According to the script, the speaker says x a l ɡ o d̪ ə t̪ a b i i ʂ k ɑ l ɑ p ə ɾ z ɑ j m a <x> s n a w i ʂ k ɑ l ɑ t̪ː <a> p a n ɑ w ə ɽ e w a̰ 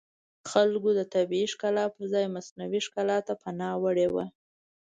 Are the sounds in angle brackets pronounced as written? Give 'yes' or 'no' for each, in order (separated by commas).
no, yes